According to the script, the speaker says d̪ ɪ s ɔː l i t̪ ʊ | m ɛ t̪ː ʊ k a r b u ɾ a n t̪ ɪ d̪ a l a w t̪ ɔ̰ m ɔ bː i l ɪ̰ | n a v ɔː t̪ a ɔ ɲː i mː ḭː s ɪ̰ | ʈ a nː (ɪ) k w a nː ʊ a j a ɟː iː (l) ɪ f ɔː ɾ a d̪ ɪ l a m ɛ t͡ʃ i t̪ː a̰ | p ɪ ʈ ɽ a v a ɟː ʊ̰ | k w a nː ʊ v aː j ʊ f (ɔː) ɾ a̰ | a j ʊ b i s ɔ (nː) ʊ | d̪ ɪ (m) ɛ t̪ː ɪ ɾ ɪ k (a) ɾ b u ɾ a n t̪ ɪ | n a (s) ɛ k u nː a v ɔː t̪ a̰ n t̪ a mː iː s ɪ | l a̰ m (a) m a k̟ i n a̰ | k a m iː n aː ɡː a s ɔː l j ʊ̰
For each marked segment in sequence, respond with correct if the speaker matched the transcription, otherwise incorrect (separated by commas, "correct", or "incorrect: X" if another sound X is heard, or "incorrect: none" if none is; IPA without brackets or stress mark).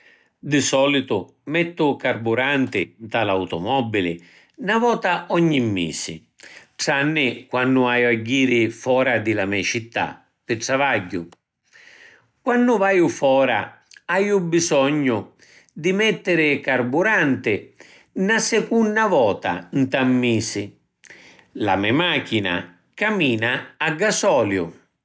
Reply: correct, incorrect: ɾ, correct, incorrect: ɲː, correct, correct, correct, incorrect: ɛ